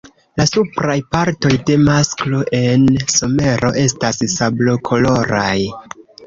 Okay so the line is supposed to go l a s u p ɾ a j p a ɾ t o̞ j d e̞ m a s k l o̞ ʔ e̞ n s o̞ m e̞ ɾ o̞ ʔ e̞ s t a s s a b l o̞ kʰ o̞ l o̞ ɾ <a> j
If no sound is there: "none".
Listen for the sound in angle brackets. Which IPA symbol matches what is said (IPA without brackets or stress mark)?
a